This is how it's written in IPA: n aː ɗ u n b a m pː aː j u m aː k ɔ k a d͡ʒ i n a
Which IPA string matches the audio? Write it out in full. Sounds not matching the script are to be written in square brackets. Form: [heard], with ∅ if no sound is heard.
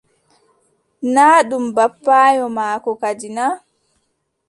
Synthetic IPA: n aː ɗ u [m] b a [∅] pː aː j [ɔ] m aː k ɔ k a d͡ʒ i n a